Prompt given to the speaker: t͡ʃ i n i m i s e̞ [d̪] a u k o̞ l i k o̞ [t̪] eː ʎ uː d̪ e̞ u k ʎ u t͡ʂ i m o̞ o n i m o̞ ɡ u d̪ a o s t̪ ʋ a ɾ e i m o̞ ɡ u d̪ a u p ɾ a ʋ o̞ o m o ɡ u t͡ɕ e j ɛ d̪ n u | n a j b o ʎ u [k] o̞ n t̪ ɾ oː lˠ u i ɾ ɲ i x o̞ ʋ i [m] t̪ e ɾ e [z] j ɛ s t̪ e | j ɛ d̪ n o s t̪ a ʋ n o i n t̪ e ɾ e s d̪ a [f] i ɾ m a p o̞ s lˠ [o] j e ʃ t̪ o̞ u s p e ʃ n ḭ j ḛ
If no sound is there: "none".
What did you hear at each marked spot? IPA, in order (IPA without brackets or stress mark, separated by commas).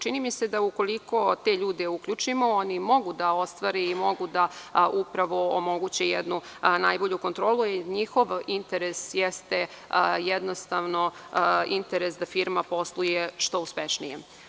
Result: d̪, t̪, k, n, s, f, u